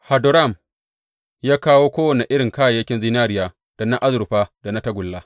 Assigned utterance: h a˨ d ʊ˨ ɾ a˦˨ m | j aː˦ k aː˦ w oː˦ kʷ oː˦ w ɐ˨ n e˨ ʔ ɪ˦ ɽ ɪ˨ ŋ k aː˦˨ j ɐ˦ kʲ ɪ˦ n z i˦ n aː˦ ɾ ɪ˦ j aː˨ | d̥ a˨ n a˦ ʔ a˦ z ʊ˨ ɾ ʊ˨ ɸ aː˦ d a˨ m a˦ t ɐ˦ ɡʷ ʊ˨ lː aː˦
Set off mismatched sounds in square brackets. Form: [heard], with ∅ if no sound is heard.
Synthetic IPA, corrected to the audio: h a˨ d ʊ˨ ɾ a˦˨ m | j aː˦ k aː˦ w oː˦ kʷ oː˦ w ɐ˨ n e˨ ʔ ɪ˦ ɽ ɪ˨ ŋ k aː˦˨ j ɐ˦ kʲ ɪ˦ n z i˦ n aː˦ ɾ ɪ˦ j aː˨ | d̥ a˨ n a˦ ʔ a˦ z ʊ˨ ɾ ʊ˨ ɸ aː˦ d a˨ [n] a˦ t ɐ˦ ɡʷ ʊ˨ lː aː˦

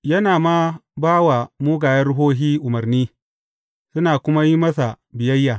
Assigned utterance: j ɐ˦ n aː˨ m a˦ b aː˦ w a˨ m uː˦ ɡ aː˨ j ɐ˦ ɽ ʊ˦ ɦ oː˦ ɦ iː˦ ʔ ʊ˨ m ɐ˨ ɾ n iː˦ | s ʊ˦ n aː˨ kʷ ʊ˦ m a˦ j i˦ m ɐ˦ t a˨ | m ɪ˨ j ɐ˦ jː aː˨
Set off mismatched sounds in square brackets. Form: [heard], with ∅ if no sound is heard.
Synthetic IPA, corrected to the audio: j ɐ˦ n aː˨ m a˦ b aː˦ w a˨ m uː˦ ɡ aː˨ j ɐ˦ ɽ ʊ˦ ɦ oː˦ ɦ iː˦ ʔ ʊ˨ m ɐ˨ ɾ n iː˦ | s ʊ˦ n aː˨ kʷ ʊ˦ m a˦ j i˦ m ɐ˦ [s] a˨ | [b] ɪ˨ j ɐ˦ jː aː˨

